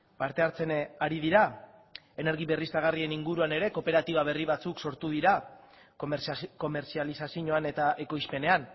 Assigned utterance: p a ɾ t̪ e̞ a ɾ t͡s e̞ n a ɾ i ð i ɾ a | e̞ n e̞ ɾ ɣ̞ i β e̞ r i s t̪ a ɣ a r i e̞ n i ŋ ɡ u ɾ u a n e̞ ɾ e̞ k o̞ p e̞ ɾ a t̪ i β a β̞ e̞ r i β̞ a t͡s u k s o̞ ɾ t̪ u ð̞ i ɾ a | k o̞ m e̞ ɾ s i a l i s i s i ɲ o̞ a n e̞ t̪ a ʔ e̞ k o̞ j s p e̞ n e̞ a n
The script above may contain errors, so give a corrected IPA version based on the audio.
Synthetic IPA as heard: p a ɾ t̪ e̞ a ɾ t͡s e̞ n a ɾ i ð i ɾ a | e̞ n e̞ ɾ ɣ̞ i β e̞ r i s t̪ a ɣ a r i e̞ n i ŋ ɡ u ɾ u a n e̞ ɾ e̞ k o̞ p e̞ ɾ a t̪ i β a β̞ e̞ r i β̞ a t͡s u k s o̞ ɾ t̪ u ð̞ i ɾ a | k o̞ m e̞ ɾ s i a l i s a s i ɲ o̞ a n e̞ t̪ a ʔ e̞ k o̞ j s p e̞ n e̞ a n